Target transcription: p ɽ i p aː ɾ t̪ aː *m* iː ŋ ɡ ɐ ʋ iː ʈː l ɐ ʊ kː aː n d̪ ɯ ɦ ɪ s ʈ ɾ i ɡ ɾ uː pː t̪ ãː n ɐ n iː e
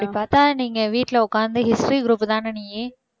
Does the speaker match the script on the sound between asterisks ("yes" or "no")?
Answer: no